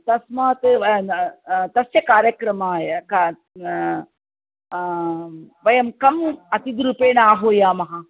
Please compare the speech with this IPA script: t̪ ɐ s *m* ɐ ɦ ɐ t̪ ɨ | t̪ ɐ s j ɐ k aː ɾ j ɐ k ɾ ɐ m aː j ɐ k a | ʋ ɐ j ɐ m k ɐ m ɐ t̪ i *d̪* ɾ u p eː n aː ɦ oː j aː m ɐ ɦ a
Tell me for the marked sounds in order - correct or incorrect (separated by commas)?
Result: correct, correct